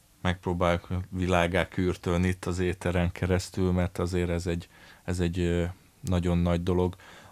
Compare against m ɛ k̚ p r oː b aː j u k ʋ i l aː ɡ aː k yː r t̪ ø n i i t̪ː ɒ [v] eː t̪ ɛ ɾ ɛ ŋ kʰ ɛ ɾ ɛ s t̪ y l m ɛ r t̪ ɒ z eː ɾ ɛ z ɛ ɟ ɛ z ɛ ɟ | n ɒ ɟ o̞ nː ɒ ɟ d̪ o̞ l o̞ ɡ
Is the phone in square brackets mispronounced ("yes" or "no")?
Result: yes